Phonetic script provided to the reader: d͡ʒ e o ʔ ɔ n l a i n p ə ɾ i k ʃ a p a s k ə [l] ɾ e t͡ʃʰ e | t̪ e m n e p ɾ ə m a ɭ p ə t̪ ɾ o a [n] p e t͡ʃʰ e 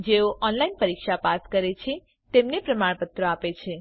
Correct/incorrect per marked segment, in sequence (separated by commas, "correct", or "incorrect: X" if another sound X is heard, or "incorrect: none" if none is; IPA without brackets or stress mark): incorrect: none, incorrect: none